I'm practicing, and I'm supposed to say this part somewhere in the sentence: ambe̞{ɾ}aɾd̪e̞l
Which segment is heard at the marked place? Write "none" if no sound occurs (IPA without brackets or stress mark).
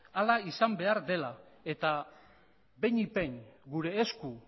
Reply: none